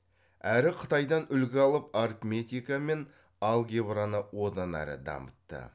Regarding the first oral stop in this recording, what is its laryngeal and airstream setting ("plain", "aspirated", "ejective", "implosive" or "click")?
aspirated